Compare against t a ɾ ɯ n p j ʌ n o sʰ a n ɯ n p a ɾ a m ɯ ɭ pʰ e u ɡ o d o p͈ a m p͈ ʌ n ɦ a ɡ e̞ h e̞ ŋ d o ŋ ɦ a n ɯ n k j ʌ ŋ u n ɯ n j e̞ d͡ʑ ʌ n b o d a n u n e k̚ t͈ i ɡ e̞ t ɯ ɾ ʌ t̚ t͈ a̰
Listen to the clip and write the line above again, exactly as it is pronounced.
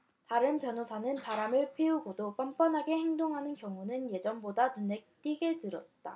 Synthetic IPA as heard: t a ɾ ɯ n p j ʌ n o sʰ a n ɯ n p a ɾ a m ɯ ɭ pʰ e u ɡ o d o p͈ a m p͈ ʌ n ɦ a ɡ e̞ h e̞ ŋ d o ŋ ɦ a n ɯ n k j ʌ ŋ u n ɯ n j e̞ d͡ʑ ʌ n b o d a n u n e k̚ t͈ i ɡ e̞ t ɯ ɾ ʌ t̚ t͈ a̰